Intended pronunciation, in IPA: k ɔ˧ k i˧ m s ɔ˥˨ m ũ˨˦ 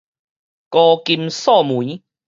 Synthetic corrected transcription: k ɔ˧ k i˧ m s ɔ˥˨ m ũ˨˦